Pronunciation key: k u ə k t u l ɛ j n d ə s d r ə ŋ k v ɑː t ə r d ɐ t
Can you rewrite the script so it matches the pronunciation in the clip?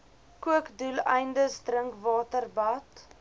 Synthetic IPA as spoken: k u ə k d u l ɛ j n d ə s d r ə ŋ k v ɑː t ə r b ɐ t